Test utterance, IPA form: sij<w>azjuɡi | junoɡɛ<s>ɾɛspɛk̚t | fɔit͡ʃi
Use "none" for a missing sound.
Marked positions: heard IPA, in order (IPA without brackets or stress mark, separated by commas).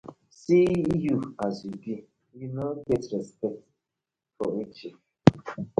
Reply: u, t